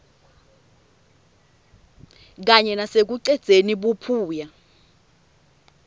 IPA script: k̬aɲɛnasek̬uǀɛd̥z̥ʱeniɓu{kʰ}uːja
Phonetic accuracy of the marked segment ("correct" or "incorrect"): incorrect